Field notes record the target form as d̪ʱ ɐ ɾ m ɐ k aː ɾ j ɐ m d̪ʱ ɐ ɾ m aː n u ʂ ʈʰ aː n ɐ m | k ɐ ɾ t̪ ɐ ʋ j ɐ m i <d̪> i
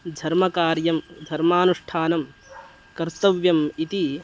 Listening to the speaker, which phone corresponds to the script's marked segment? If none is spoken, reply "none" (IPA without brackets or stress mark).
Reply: t̪